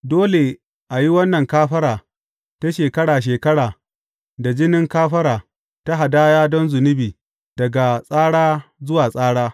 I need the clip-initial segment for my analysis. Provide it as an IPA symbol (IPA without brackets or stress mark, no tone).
d